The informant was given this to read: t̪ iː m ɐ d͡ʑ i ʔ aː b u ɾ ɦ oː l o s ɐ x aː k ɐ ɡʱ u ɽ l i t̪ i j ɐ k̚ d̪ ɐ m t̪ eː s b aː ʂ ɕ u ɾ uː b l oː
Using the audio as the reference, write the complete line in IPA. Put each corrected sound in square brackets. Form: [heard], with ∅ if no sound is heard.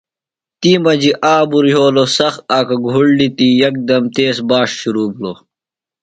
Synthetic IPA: t̪ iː m ɐ d͡ʑ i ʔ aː b u ɾ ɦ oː l o s ɐ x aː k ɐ ɡʱ u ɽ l i t̪ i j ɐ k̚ d̪ ɐ m t̪ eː s b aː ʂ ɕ u ɾ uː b l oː

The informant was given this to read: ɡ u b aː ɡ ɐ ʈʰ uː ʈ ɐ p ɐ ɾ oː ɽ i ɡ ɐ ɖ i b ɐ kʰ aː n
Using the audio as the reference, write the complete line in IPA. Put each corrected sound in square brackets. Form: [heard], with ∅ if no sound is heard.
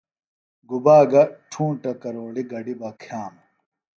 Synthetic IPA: ɡ u b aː ɡ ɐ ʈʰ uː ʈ ɐ [k] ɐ ɾ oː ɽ i ɡ ɐ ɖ i b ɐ kʰ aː [m]

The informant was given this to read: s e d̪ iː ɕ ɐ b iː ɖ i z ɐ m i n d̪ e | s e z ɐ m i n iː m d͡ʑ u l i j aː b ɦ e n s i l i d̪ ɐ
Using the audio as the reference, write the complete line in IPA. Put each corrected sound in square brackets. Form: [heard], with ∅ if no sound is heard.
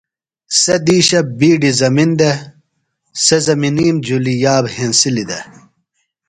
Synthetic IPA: s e d̪ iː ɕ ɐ b iː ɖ i z ɐ m i n d̪ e | s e z ɐ m i n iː m d͡ʑ u l i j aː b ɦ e n s i l i d̪ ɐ

